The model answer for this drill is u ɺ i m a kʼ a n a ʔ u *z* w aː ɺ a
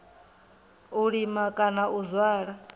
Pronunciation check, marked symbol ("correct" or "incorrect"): correct